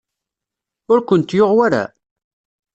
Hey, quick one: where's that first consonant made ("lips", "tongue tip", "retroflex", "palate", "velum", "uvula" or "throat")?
tongue tip